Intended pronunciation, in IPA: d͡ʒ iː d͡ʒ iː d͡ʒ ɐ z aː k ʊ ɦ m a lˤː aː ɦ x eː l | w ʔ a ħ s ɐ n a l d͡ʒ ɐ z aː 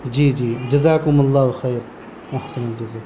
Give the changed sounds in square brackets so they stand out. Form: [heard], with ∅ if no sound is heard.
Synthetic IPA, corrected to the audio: d͡ʒ iː d͡ʒ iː d͡ʒ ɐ z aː k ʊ [∅] m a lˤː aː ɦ x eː [ɾ] | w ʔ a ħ s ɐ n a l d͡ʒ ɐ z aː